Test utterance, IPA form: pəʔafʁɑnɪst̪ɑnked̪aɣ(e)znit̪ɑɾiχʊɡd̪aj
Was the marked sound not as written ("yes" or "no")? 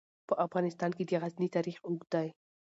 yes